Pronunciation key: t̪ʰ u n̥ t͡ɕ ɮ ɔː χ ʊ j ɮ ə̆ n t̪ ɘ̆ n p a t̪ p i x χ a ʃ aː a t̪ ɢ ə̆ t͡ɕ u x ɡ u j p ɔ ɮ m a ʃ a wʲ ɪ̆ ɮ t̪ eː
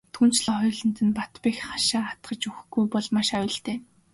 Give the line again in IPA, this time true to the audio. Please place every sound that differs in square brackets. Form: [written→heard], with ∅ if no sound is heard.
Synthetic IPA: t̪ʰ u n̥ t͡ɕ ɮ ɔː χ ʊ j ɮ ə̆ n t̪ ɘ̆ n p a t̪ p i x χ a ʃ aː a t̪ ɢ ə̆ t͡ɕ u x ɡ u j p ɔ ɮ m a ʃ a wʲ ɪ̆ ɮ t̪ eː